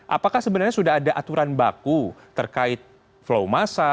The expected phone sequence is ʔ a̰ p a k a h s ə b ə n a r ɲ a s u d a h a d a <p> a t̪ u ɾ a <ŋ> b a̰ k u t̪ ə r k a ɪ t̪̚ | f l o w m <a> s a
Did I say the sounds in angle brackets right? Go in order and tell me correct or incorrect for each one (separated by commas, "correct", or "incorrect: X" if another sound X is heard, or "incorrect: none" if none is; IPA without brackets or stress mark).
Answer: incorrect: ʔ, incorrect: n, correct